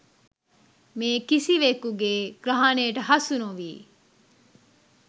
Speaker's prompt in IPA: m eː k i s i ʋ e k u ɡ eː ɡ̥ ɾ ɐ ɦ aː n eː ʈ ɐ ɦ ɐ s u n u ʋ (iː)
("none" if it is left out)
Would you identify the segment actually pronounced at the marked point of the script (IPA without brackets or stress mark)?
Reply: iː